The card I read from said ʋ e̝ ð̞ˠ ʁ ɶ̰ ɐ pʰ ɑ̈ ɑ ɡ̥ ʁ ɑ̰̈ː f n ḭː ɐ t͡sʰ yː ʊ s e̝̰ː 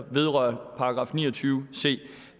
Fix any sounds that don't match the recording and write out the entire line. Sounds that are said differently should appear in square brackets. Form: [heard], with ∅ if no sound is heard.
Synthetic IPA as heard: ʋ e̝ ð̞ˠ ʁ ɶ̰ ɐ pʰ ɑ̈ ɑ ɡ̥ ʁ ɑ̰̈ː f n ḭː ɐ t͡sʰ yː ʊ s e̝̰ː